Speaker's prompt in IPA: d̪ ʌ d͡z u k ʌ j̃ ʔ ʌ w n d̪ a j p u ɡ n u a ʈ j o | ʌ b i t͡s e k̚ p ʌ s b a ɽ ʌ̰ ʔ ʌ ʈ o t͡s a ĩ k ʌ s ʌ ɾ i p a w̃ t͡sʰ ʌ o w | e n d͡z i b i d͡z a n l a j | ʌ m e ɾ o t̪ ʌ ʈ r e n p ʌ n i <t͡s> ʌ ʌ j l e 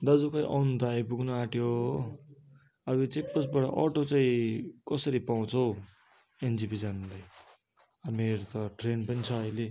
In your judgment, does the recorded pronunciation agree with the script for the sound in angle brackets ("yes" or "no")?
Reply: no